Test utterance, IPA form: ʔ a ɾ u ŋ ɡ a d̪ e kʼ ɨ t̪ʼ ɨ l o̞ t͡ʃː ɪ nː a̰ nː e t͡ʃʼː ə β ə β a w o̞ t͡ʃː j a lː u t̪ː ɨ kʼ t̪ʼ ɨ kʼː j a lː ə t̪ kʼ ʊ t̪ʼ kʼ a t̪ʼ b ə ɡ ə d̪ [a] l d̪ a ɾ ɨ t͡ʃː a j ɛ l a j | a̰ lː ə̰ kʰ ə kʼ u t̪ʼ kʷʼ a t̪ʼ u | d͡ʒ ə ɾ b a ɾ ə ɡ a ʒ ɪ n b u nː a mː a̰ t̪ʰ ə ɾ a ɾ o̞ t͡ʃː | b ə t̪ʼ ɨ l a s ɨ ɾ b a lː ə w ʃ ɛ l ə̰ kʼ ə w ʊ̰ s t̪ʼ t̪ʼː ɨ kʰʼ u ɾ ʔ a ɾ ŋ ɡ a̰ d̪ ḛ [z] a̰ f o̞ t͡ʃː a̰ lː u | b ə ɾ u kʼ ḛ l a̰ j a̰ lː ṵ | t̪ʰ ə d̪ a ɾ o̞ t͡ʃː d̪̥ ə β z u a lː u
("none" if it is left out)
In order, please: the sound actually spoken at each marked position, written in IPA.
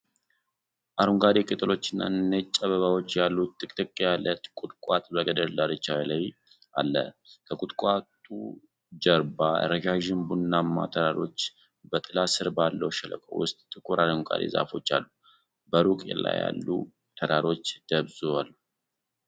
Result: ə, z

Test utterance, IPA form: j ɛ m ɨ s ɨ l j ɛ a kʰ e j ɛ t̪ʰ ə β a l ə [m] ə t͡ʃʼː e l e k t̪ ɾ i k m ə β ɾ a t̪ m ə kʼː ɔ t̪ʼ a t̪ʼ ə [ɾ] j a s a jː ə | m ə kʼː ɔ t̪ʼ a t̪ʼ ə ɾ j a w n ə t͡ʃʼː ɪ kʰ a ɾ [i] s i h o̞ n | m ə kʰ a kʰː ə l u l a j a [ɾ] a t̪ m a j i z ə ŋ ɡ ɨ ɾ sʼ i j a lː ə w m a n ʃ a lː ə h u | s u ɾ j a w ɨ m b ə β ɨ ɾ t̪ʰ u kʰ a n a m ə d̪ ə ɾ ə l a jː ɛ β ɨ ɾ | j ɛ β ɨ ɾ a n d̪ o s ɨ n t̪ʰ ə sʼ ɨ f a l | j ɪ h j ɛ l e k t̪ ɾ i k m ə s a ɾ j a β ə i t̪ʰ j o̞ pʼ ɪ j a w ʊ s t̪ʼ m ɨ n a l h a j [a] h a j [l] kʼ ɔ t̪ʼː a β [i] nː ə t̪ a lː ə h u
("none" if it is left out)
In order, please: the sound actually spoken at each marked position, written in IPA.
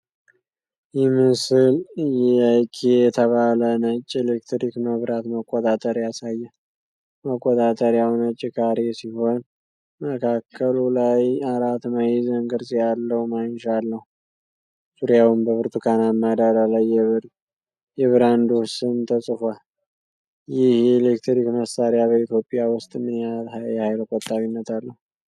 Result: n, ɾ, e, ɾ, ɛ, l, i

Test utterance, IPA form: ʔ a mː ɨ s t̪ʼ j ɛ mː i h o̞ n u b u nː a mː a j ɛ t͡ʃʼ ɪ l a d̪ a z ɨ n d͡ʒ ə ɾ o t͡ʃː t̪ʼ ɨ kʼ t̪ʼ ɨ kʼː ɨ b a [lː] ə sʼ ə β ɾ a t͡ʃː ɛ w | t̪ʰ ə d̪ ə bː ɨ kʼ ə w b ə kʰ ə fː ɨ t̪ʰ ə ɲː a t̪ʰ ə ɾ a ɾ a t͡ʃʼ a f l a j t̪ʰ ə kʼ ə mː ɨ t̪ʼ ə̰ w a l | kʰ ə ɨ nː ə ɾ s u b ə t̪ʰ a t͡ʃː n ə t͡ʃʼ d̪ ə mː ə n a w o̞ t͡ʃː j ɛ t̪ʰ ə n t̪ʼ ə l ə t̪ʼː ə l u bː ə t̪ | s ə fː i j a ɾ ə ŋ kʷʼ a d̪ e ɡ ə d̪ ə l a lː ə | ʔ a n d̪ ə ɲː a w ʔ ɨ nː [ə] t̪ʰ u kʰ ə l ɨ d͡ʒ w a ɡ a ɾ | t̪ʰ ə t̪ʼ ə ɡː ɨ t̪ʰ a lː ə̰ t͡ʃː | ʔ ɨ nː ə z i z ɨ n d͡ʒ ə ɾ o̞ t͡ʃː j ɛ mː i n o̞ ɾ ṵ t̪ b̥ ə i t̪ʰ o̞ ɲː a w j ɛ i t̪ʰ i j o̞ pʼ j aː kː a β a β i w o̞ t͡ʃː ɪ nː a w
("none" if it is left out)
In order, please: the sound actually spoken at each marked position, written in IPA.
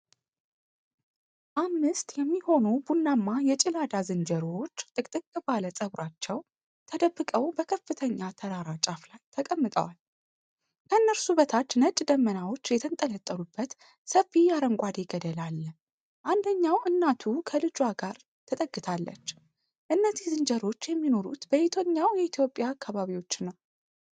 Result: l, a

